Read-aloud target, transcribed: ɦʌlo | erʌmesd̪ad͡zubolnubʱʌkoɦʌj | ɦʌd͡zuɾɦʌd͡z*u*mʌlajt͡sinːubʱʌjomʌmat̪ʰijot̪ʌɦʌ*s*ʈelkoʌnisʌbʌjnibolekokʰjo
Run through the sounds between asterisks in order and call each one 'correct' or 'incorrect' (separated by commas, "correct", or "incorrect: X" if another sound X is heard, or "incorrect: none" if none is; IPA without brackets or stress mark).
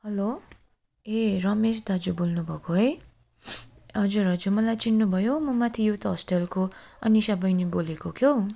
correct, correct